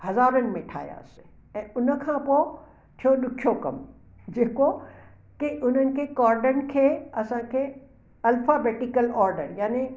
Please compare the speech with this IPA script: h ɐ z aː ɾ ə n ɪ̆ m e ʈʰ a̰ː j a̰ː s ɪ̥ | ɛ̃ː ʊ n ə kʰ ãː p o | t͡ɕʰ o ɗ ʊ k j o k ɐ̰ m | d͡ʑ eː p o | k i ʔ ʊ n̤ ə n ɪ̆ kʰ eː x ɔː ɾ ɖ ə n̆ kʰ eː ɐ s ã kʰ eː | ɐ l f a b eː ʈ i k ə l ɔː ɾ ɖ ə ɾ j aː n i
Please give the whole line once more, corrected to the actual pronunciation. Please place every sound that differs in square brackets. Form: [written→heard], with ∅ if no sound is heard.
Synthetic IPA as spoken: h ɐ z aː ɾ ə n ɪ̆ m [e→ẽ] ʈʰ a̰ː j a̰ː s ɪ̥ | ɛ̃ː ʊ n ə kʰ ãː p o | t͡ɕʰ o ɗ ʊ [k→kʰ] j o k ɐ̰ m | d͡ʑ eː [p→k] o | k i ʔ ʊ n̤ ə n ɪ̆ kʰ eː [x→k] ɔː ɾ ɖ ə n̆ kʰ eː ɐ s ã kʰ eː | ɐ l f a b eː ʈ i k ə l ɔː ɾ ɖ ə ɾ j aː n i